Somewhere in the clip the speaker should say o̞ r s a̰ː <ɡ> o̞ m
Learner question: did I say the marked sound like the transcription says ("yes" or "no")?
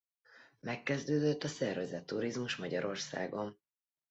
yes